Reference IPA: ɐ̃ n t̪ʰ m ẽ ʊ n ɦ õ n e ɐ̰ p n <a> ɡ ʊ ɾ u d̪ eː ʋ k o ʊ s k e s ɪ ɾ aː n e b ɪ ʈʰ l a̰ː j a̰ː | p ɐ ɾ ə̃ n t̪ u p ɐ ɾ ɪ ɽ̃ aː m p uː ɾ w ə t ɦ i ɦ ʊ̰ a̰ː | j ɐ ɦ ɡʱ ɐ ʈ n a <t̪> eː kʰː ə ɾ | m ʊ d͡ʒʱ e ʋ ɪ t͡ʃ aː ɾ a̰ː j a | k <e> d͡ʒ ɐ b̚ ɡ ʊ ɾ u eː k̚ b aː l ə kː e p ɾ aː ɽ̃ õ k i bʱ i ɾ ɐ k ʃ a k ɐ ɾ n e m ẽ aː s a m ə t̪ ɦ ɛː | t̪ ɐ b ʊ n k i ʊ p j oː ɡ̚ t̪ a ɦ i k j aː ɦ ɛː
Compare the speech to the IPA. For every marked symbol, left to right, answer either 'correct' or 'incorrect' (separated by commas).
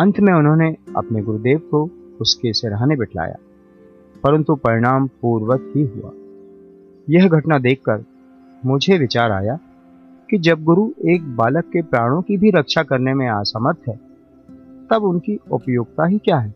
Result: incorrect, incorrect, incorrect